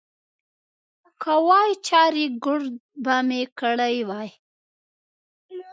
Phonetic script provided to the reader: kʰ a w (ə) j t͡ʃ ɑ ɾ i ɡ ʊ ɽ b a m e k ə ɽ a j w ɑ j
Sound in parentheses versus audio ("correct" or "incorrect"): incorrect